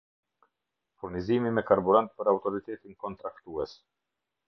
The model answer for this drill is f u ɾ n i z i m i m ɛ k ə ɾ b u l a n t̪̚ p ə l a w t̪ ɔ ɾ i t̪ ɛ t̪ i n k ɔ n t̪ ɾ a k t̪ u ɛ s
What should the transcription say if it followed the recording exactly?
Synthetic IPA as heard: f u ɾ n i z i m i m ɛ k a ɾ b u ɾ a n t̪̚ p ə ɾ a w t̪ ɔ ɾ i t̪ ɛ t̪ i n k ɔ n t̪ ɾ a k t̪ u ɛ s

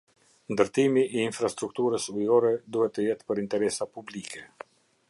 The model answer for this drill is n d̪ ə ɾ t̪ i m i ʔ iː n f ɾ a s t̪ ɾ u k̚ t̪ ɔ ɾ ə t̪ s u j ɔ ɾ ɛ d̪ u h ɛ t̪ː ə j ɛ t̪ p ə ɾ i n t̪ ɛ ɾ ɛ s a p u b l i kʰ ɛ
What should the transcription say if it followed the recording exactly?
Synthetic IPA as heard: n d̪ ə ɾ t̪ i m i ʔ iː n f ɾ a s t̪ ɾ u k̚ t̪ u ɾ ə s u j ɔ ɾ ɛ d̪ u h ɛ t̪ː ə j ɛ t̪ p ə ɾ i n t̪ ɛ ɾ ɛ s a p u b l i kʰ ɛ

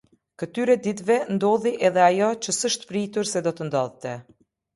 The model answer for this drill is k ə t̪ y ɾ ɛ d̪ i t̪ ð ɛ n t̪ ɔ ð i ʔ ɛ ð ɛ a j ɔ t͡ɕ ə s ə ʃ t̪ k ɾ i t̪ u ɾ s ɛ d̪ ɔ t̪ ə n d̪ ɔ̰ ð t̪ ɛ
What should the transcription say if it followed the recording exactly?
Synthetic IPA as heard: k ə t̪ y ɾ ɛ d̪ i t̪ v ɛ n d̪ ɔ ð i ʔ ɛ ð ɛ a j ɔ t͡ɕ ə s ə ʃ t̪ p ɾ i t̪ u ɾ s ɛ d̪ ɔ t̪ ə n d̪ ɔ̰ ð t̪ ɛ

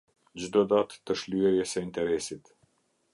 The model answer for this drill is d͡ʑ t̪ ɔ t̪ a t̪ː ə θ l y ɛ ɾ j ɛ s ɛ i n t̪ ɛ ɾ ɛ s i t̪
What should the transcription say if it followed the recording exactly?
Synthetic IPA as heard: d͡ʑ d̪ ɔ d̪ a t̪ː ə ʃ l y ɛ ɾ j ɛ s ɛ i n t̪ ɛ ɾ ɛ s i t̪

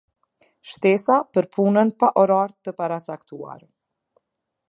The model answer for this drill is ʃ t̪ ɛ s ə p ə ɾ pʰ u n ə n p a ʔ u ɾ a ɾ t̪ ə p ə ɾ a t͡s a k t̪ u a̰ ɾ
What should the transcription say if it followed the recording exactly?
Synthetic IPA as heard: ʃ t̪ ɛ s a p ə ɾ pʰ u n ə n p a ʔ ɔ ɾ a ɾ t̪ ə p a ɾ a t͡s a k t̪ u a̰ ɾ

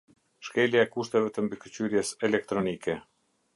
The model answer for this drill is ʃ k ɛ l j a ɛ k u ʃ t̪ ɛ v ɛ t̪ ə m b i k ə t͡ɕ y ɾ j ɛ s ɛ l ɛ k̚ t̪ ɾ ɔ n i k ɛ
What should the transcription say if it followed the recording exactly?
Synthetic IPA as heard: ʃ k ɛ l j a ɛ k u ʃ t̪ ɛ v ɛ t̪ ə m b i k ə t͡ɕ y ɾ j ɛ s ɛ l ɛ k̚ t̪ ɾ ɔ n i k ɛ

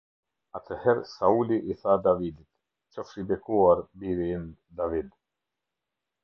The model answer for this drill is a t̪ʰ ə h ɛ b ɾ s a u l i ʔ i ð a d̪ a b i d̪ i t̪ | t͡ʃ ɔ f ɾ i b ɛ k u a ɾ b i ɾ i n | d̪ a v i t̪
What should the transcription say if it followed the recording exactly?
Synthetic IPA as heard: a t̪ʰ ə h ɛ ɾ s a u l i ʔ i θ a d̪ a v i d̪ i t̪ | t͡ʃ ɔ f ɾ i b ɛ k u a ɾ b i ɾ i n | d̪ a v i d̪

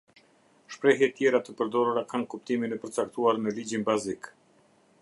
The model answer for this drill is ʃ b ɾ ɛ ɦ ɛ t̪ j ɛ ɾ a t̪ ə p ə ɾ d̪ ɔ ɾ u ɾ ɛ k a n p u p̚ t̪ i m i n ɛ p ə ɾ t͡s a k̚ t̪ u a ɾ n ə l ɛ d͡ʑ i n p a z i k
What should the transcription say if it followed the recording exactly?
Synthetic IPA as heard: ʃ p ɾ ɛ ɦ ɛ t̪ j ɛ ɾ a t̪ ə p ə ɾ d̪ ɔ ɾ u ɾ a k a n k u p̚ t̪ i m i n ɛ p ə ɾ t͡s a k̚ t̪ u a ɾ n ə l i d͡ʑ i n b a z i k

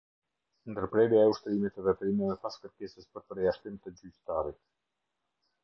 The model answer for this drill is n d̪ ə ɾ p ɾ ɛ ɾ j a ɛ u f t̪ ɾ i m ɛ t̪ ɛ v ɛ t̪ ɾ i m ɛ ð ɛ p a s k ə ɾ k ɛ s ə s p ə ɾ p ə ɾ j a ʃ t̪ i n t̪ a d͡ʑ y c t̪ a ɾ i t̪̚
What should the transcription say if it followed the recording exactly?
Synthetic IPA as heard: n d̪ ə ɾ p ɾ ɛ ɾ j a ɛ u ʃ t̪ ɾ i m i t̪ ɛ v ɛ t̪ ɾ i m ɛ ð ɛ p a s k ə ɾ k ɛ s ə s p ə ɾ p ə ɾ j a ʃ t̪ i m t̪ ə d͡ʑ y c t̪ a ɾ i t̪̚

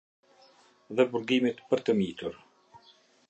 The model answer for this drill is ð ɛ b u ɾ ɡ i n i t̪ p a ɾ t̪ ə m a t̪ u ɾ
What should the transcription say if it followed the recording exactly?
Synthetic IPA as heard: ð ɛ b u ɾ ɡ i m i t̪ p ə ɾ t̪ ə m i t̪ u ɾ

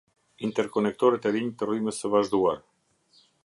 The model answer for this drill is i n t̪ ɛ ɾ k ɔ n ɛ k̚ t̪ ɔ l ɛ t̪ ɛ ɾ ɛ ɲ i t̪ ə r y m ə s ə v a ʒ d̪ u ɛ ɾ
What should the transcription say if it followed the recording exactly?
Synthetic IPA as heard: i n t̪ ɛ ɾ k ɔ n ɛ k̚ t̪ ɔ ɾ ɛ t̪ ɛ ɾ i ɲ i t̪ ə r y m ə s ə v a ʒ d̪ u a ɾ

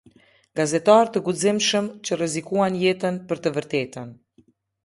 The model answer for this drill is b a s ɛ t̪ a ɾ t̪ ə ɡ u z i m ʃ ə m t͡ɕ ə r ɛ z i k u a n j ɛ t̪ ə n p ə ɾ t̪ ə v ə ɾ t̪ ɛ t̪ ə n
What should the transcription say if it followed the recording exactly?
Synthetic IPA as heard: ɡ a z ɛ t̪ a ɾ t̪ ə ɡ u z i m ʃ ə m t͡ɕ ə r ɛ z i k u a n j ɛ t̪ ə n p ə ɾ t̪ ə v ə ɾ t̪ ɛ t̪ ə n

